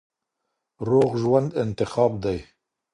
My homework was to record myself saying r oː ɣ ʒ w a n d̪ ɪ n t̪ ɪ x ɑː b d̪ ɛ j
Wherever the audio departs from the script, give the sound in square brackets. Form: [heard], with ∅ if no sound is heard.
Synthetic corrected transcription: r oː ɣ ʒ w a n d̪ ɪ n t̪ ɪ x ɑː b d̪ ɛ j